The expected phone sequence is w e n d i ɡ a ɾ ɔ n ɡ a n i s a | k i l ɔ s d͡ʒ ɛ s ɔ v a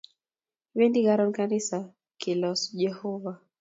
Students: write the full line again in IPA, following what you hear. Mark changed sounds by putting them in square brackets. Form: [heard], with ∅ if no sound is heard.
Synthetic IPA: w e n d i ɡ a ɾ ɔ n [k] a n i s a | k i l ɔ s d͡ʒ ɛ [h] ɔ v a